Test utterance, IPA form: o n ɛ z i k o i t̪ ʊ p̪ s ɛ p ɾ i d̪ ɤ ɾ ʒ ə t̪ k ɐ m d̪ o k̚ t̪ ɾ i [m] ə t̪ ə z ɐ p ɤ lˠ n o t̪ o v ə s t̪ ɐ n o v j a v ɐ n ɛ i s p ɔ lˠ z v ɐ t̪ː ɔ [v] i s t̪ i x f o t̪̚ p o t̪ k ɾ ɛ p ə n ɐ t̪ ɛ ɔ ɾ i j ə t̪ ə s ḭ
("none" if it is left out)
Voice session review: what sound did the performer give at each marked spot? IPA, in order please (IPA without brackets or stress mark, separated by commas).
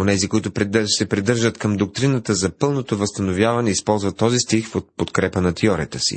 n, z